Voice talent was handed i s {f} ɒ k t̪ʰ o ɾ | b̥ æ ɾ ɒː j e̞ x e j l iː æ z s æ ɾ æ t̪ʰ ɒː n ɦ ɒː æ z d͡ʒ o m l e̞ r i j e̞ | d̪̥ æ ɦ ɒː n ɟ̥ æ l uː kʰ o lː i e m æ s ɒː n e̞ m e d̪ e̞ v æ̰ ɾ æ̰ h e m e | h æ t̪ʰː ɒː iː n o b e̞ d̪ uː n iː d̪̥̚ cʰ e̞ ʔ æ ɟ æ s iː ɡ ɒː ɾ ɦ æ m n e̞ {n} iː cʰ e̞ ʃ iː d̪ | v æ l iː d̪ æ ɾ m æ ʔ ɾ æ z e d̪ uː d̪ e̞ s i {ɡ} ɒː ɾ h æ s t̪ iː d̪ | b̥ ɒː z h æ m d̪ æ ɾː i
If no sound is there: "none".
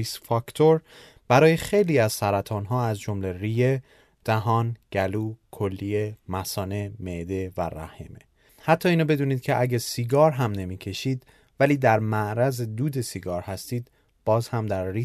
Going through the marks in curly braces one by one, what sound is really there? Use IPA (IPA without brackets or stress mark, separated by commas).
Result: f, m, ɡ